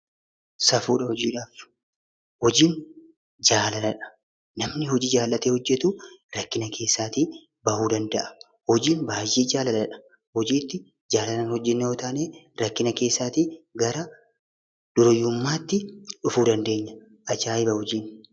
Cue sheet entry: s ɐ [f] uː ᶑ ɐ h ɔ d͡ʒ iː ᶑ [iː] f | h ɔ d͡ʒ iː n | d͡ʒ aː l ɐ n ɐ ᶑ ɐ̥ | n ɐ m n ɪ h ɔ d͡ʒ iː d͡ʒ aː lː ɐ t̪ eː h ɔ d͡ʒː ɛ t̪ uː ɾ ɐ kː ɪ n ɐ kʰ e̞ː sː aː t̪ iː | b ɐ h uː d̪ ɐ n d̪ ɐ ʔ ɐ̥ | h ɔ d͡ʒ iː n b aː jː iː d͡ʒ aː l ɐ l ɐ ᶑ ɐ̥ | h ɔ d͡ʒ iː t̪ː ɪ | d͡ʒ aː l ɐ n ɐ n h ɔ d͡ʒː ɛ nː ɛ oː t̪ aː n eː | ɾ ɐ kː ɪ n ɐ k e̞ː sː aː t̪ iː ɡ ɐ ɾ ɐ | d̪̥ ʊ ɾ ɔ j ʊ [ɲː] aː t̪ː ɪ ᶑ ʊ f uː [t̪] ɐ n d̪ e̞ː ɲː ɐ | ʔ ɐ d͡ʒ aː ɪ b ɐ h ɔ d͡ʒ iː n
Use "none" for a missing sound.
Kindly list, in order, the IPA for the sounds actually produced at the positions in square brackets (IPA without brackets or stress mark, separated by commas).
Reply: f, aː, mː, d̪